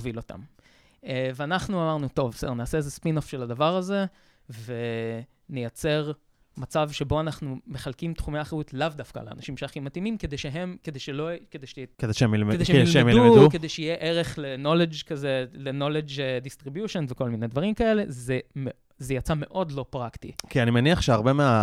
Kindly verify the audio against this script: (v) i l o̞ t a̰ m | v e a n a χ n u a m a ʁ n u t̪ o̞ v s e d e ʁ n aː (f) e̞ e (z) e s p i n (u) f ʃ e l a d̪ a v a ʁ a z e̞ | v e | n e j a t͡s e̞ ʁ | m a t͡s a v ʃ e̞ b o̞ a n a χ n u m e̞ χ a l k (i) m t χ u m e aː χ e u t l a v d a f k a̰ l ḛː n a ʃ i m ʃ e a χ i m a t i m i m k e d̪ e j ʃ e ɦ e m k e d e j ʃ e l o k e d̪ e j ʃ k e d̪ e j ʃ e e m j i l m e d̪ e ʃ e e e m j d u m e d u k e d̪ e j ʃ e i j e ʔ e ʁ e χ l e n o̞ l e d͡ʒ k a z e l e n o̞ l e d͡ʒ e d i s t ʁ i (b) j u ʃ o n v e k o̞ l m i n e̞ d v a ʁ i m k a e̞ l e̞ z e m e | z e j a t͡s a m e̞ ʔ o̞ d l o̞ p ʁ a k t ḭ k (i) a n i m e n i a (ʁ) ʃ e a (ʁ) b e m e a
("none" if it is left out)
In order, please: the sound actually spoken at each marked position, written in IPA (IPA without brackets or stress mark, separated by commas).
v, s, z, o, i, b, i, χ, ʁ